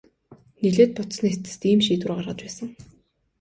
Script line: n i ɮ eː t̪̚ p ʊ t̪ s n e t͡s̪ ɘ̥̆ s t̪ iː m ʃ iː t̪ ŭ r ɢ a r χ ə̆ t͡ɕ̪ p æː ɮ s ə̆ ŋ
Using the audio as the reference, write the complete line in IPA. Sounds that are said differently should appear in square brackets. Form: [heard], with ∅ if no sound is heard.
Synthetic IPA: n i ɮ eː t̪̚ p ʊ t̪ s n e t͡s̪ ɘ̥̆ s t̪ iː m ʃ iː t̪ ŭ r ɢ a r [ʁ] ə̆ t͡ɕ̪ p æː [∅] s ə̆ ŋ